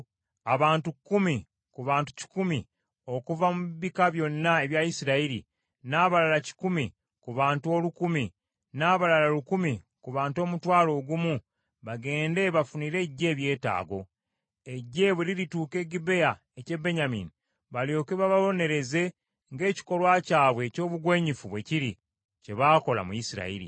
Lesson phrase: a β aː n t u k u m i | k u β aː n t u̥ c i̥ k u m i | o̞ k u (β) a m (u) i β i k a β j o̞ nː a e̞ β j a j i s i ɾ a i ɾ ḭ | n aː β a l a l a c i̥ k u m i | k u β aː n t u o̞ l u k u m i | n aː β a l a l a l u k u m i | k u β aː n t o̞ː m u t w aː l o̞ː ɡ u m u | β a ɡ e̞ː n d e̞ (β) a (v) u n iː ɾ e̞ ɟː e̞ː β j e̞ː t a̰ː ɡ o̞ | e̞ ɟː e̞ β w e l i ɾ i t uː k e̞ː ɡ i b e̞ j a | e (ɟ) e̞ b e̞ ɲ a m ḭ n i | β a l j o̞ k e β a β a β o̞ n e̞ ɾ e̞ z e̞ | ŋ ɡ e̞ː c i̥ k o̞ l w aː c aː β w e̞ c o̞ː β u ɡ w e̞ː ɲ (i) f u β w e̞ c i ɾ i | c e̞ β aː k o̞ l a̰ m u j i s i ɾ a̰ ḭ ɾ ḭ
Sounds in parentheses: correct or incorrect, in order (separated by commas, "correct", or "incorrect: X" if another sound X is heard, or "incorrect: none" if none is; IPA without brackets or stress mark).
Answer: incorrect: v, correct, correct, incorrect: f, incorrect: c, correct